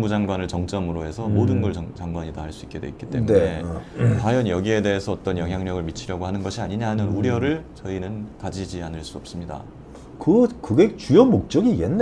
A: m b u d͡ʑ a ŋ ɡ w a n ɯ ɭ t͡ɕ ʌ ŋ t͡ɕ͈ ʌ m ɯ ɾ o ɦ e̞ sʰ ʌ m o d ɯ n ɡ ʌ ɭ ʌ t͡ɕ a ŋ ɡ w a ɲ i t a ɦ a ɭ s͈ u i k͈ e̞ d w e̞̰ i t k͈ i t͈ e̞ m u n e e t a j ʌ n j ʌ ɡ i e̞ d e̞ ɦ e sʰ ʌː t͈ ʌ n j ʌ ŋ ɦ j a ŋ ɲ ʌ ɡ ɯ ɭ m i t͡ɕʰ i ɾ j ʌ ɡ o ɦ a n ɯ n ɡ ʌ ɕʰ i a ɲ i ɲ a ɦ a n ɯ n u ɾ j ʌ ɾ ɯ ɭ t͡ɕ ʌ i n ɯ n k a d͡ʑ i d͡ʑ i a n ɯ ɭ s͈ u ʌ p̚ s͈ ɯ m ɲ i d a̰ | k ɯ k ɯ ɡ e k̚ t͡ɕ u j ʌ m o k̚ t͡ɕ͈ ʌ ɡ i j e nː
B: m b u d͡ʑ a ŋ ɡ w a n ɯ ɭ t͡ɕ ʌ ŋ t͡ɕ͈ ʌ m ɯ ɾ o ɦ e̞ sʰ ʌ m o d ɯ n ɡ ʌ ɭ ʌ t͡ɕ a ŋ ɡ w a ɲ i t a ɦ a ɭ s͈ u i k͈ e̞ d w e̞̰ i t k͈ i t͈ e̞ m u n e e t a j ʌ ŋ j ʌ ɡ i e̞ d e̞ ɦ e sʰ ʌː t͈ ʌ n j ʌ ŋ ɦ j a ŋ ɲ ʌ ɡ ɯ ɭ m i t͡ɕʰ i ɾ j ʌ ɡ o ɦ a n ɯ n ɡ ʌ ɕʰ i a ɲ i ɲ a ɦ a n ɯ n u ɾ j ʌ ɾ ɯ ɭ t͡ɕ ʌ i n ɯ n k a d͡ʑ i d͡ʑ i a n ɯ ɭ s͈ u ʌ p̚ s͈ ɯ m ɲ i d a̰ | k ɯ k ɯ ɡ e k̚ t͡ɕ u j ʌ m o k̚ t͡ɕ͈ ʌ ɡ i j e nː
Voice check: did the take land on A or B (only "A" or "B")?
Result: A